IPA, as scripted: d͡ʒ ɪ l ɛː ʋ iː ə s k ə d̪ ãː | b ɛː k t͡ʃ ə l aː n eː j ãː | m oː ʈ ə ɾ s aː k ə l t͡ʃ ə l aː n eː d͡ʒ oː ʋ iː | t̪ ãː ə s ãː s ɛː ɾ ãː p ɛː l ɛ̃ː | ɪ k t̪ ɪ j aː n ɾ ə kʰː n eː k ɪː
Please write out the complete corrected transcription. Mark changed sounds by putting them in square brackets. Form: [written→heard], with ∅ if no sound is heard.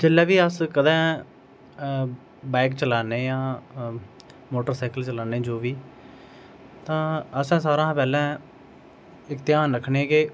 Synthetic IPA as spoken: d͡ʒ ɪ l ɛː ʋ iː ə s k ə d̪ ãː | b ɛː k t͡ʃ ə l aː n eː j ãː | m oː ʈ ə ɾ s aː k ə l t͡ʃ ə l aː n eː d͡ʒ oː ʋ iː | t̪ ãː ə s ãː s [ɛː→aː] ɾ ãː p ɛː l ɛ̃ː | ɪ k t̪ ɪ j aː n ɾ ə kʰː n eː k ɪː